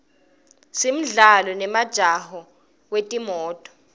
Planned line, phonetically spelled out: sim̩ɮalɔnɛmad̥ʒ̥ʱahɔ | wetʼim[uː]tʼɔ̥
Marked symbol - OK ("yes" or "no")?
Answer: no